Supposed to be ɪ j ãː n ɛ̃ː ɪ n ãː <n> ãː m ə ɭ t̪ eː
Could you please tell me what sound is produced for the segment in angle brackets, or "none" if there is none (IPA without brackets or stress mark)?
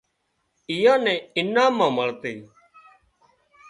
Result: m